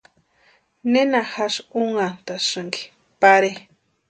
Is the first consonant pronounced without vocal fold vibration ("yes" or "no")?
no